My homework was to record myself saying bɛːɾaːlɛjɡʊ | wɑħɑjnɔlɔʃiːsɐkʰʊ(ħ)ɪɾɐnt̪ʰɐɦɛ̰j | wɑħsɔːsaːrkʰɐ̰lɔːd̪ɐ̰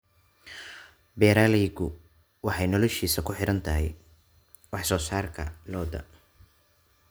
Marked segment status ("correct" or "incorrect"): correct